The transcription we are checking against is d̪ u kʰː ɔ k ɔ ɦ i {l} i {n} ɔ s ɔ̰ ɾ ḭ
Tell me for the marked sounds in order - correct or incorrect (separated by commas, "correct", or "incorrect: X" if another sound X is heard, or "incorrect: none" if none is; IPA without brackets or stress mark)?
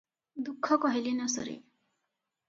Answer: correct, correct